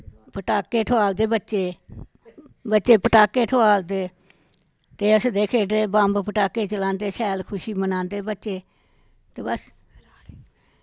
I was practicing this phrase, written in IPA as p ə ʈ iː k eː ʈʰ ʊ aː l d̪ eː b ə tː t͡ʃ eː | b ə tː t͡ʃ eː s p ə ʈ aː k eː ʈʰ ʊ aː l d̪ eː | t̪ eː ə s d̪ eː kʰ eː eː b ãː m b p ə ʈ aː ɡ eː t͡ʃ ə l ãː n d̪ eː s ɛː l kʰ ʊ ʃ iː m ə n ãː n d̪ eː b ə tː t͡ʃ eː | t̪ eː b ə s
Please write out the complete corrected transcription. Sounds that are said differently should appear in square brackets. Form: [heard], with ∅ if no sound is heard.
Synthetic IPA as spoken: p ə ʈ [aː] k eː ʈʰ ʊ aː l d̪ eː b ə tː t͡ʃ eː | b ə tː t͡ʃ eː [∅] p ə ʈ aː k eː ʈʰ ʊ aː l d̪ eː | t̪ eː ə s d̪ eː kʰ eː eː b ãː m b p ə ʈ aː [k] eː t͡ʃ ə l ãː n d̪ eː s ɛː l kʰ ʊ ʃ iː m ə n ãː n d̪ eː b ə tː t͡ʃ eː | t̪ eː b ə s